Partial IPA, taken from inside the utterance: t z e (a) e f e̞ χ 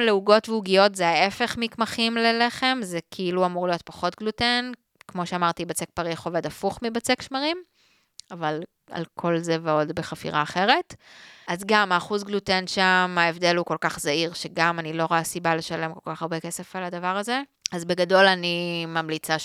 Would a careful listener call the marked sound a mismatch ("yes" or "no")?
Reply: no